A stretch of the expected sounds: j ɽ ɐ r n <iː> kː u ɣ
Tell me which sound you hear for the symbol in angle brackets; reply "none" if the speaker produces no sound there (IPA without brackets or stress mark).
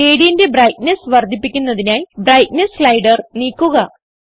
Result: iː